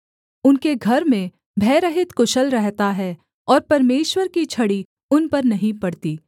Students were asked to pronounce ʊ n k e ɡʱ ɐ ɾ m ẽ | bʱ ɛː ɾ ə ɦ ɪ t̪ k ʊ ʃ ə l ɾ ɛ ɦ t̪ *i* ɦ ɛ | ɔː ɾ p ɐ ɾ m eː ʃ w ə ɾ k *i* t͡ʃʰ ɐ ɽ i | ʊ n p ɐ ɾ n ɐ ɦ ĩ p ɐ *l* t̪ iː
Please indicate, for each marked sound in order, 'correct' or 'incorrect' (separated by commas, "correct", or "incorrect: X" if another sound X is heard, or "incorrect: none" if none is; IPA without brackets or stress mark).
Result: incorrect: a, correct, incorrect: ɽ